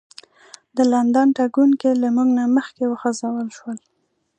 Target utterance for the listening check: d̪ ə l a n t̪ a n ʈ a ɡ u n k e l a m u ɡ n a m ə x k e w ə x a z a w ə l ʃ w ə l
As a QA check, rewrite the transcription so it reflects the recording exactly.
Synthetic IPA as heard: d̪ ə l a n d̪ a n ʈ a ɡ u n k e l a m u ɡ n a m ə x k e w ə x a z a w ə l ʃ w ə l